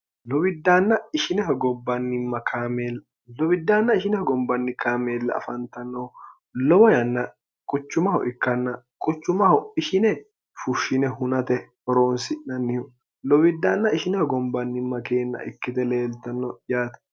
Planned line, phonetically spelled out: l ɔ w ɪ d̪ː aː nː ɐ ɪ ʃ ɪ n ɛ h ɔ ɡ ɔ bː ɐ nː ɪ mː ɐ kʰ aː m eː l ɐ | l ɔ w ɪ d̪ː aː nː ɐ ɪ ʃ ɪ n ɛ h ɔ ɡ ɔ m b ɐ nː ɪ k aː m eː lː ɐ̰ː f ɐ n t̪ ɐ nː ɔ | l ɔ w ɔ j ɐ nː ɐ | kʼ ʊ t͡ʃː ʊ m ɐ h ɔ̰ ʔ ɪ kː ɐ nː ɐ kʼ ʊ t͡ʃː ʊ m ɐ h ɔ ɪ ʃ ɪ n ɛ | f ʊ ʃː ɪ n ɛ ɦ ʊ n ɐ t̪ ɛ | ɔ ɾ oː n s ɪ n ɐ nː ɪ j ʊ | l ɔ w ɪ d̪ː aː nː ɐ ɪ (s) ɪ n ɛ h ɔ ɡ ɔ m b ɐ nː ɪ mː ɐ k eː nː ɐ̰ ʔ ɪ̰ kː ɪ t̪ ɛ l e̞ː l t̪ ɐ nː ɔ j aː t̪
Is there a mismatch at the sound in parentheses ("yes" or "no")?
yes